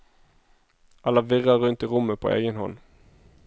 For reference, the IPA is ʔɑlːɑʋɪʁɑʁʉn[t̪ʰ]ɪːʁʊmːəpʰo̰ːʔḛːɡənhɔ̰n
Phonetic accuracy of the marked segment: incorrect: t̪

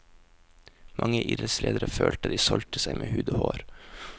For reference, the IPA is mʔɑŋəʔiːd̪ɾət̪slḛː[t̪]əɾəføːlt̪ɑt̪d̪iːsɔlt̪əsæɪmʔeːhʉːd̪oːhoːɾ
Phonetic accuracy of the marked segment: incorrect: d̪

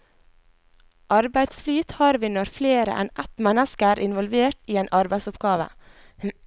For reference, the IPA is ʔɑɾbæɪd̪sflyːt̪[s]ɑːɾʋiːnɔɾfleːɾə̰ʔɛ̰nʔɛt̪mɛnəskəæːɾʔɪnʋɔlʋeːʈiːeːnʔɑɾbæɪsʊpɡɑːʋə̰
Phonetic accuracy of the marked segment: incorrect: h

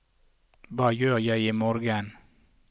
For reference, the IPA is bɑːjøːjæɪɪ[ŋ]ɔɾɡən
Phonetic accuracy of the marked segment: incorrect: m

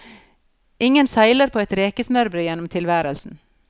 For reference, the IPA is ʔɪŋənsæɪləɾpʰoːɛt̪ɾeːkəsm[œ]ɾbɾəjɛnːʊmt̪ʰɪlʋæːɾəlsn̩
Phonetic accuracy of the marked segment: correct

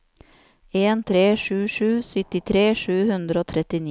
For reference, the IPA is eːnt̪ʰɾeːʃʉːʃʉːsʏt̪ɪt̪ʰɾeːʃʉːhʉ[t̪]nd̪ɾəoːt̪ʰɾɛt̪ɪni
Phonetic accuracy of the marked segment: incorrect: none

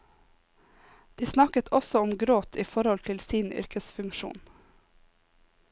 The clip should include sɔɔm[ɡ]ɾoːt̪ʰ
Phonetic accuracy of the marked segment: correct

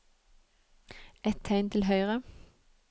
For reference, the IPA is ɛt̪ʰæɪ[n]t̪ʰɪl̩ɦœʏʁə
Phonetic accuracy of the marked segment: correct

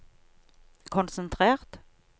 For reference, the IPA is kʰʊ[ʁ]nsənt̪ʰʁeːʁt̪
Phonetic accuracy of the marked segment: incorrect: none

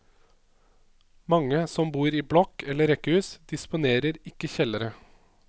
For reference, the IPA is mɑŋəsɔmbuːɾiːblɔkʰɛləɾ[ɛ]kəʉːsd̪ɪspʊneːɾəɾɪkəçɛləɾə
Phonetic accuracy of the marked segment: correct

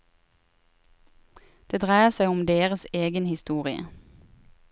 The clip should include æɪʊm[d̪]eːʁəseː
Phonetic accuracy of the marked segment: correct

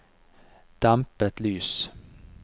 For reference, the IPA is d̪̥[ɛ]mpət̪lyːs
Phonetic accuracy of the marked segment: incorrect: a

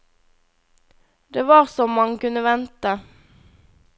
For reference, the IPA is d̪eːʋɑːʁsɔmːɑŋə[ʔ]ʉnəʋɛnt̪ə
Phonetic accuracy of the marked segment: incorrect: k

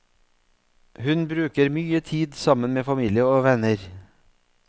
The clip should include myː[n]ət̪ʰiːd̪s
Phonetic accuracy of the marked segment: incorrect: none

